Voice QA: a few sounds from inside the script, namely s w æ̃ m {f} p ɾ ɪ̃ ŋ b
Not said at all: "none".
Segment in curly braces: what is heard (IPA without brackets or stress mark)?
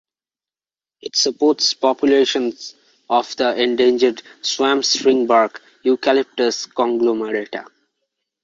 s